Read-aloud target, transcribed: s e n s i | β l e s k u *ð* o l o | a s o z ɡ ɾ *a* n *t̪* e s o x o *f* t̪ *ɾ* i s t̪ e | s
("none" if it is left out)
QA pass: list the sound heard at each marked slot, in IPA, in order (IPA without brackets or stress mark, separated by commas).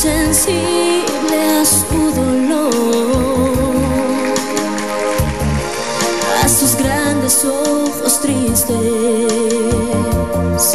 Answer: ð, a, d̪, s, ɾ